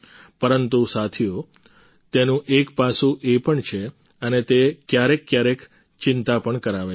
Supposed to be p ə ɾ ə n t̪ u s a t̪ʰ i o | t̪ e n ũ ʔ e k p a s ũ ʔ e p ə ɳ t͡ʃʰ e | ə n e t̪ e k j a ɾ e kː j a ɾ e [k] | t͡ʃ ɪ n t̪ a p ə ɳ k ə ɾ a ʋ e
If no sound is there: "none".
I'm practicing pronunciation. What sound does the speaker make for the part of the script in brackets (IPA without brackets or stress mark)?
k